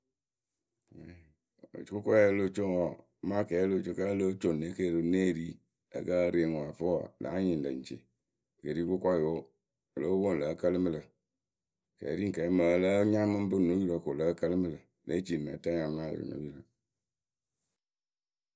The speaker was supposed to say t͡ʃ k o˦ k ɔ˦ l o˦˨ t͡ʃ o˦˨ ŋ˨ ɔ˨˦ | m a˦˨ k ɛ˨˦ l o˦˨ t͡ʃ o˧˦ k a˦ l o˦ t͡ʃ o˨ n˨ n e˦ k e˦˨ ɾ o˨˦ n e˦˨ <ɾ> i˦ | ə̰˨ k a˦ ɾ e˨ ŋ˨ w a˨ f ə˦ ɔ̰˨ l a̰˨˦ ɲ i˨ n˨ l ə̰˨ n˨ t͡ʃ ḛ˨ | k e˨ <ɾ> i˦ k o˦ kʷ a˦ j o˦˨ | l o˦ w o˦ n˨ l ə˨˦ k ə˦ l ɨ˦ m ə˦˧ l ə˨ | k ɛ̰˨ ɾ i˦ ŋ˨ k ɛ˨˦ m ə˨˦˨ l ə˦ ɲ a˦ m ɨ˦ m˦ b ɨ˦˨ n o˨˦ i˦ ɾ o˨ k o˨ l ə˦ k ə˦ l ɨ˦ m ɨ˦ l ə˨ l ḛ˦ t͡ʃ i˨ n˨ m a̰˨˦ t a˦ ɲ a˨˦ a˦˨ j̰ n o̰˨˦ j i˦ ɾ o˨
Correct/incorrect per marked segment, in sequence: correct, correct

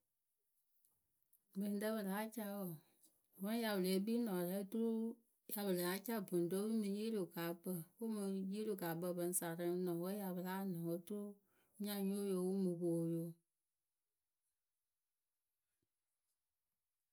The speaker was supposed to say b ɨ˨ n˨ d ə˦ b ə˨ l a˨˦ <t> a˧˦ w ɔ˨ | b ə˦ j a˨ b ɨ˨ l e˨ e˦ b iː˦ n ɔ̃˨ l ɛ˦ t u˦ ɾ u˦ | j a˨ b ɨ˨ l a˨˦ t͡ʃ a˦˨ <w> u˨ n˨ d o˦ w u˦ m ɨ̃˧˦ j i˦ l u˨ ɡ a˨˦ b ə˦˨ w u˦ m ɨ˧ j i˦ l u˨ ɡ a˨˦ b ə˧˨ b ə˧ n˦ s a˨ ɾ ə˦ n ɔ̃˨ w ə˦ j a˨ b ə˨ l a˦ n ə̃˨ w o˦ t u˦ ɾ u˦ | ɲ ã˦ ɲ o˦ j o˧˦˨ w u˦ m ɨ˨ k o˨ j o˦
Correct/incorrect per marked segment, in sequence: incorrect, incorrect

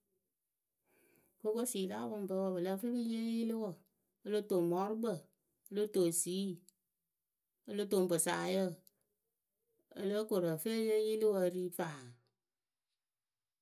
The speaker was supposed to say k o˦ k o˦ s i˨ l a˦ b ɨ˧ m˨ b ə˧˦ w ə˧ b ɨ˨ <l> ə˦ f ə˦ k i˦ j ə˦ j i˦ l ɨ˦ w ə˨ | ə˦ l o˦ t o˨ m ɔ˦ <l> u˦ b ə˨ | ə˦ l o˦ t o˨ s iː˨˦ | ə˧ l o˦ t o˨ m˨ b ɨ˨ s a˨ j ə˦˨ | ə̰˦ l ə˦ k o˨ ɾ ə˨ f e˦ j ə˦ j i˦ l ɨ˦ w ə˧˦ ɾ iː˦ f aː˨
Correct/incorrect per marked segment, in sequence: correct, incorrect

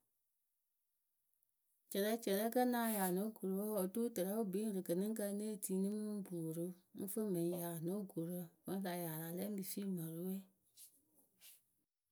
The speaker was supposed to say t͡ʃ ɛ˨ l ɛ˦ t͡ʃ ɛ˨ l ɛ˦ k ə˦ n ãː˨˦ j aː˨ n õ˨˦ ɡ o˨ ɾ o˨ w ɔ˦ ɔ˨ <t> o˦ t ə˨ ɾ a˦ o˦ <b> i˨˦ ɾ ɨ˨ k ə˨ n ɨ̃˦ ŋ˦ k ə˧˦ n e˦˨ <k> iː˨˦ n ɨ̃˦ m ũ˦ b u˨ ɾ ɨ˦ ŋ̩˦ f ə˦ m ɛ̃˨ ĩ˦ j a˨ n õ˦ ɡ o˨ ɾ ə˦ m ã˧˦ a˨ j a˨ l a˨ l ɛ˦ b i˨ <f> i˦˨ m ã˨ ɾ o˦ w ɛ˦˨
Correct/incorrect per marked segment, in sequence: correct, correct, incorrect, incorrect

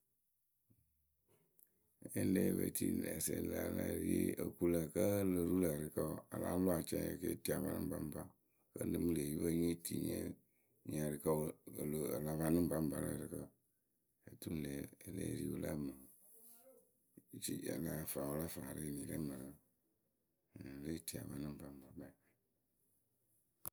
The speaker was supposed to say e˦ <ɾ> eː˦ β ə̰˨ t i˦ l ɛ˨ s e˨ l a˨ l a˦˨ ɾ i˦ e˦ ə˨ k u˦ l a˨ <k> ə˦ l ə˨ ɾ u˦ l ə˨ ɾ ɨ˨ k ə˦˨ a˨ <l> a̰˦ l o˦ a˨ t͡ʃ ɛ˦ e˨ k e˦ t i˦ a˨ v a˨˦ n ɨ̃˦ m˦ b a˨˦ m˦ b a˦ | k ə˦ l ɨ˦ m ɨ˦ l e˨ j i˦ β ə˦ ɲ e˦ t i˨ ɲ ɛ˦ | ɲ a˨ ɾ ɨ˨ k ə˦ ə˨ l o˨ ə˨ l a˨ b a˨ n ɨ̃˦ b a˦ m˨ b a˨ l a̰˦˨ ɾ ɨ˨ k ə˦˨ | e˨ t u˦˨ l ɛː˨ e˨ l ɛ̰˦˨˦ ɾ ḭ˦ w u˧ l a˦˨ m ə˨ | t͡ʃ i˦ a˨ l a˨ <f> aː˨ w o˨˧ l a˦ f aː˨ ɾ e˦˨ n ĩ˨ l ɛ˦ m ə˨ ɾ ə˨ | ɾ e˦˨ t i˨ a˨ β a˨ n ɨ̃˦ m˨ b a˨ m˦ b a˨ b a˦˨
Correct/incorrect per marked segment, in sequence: incorrect, correct, correct, correct

